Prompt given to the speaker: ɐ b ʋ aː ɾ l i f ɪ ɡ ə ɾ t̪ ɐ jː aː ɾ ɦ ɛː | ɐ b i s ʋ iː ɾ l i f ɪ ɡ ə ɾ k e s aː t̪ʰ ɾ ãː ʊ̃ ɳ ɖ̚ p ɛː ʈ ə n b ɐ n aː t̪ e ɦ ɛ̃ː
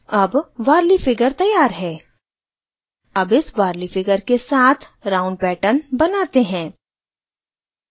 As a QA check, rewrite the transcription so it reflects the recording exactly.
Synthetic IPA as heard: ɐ b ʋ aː ɾ l i f ɪ ɡ ə ɾ t̪ ɐ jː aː ɾ ɦ ɛː | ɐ b ɪ s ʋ aː ɾ l i f ɪ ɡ ə ɾ k e s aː t̪ʰ ɾ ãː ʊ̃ ɳ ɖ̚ p ɛː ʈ ə n b ɐ n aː t̪ e ɦ ɛ̃ː